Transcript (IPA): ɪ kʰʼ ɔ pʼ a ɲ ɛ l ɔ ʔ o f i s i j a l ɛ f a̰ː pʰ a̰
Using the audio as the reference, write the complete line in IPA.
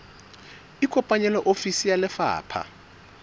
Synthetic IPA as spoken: i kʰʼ ɔ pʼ a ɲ ɛ l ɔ ʔ o f i s i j a l ɛ f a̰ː pʰ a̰